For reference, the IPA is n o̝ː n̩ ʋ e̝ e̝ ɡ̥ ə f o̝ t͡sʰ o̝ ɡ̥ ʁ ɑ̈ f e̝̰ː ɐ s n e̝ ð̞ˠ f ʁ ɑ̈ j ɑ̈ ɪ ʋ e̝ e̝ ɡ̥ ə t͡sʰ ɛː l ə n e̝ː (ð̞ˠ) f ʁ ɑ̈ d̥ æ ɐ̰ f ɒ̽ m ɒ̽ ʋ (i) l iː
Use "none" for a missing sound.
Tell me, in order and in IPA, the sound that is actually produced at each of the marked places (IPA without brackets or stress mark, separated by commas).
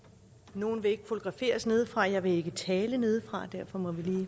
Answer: ð̞ˠ, i